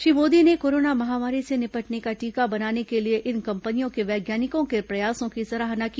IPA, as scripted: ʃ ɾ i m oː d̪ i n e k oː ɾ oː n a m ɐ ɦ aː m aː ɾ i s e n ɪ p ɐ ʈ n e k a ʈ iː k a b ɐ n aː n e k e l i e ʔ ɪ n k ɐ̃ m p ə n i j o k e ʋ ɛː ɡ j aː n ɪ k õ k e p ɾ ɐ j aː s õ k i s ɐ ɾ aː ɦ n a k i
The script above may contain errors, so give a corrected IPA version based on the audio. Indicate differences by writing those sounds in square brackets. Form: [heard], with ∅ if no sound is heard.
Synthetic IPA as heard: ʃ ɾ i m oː d̪ i n e k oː ɾ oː n a m ɐ ɦ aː m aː ɾ i s e n ɪ p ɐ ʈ n e k a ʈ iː k a b ɐ n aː n e k e l i e ʔ ɪ n k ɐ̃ m p ə n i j [õ] k e ʋ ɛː ɡ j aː n ɪ k õ k e p ɾ ɐ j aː s õ k i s ɐ ɾ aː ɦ n a k i